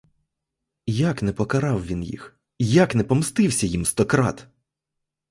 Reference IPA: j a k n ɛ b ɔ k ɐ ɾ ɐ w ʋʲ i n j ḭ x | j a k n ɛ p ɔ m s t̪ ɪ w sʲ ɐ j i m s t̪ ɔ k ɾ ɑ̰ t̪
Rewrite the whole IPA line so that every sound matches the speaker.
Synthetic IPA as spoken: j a k n ɛ p ɔ k ɐ ɾ ɑ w ʋʲ i n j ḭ x | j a k n ɛ p ɔ m s t̪ ɪ w sʲ ɐ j i m s t̪ ɔ k ɾ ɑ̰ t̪